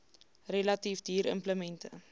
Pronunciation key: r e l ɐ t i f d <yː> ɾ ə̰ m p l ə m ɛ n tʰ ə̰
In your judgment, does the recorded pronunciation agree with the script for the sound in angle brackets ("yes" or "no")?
no